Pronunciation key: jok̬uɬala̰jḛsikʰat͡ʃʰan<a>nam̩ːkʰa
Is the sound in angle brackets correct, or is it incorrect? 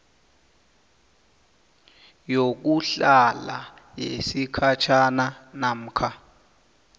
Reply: correct